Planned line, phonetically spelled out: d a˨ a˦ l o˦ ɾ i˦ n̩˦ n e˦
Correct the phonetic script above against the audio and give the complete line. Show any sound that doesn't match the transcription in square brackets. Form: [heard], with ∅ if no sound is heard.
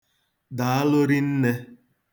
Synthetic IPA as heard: d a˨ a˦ l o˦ ɾ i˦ n̩˦ n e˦